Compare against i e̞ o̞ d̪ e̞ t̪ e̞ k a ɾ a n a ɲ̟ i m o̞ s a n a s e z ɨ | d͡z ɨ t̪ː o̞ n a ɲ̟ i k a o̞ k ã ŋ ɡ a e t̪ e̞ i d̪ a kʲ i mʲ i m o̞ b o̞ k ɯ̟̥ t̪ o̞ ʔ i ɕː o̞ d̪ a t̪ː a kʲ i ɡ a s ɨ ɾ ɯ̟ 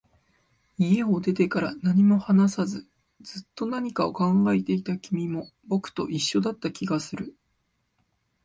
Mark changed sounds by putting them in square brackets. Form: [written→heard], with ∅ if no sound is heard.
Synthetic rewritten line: i e̞ o̞ d̪ e̞ t̪ e̞ k a ɾ a n a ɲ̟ i m o̞ [s→h] a n a s [e→a] z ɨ | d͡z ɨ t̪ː o̞ n a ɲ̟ i k a o̞ k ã ŋ ɡ a e t̪ e̞ i [d̪→t̪] a kʲ i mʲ i m o̞ b o̞ k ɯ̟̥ t̪ o̞ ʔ i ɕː o̞ d̪ a t̪ː a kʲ i ɡ a s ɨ ɾ ɯ̟